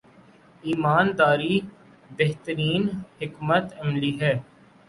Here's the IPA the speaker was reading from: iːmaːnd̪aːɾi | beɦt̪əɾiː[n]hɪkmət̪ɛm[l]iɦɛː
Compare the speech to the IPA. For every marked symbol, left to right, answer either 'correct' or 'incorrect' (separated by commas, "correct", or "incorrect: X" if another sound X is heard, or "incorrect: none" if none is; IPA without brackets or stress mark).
correct, correct